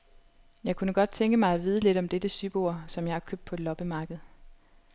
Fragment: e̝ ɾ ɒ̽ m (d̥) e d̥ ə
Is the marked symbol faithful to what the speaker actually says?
yes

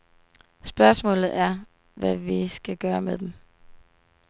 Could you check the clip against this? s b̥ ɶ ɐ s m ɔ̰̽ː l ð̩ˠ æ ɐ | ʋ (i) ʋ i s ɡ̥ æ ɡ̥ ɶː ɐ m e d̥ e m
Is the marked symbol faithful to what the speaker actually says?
no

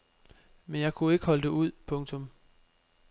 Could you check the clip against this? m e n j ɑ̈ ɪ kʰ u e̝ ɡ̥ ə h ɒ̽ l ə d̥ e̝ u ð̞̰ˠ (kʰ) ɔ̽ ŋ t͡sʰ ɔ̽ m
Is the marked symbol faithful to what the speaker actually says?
no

